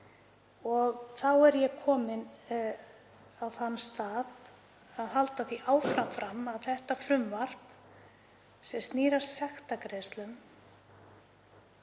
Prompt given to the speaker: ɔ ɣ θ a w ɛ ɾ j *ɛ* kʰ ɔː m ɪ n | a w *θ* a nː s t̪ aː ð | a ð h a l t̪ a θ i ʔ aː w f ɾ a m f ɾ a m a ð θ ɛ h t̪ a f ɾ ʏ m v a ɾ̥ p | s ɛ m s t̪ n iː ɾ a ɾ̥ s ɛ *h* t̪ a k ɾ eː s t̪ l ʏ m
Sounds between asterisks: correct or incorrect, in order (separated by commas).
correct, correct, incorrect